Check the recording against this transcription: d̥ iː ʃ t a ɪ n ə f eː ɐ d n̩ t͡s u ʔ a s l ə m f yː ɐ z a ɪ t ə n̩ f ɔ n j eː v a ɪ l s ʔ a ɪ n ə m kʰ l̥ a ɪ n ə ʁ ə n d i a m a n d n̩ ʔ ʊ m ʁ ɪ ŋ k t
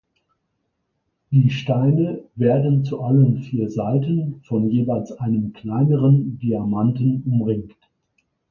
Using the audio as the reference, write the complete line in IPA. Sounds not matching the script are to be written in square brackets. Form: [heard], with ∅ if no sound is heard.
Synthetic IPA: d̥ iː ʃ t a ɪ n ə [v] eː ɐ d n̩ t͡s u ʔ a [∅] l ə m f [iː] ɐ z a ɪ t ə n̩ f ɔ n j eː v a ɪ l s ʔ a ɪ n ə m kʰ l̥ a ɪ n ə ʁ ə n d i a m a n [t] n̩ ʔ ʊ m ʁ ɪ ŋ k t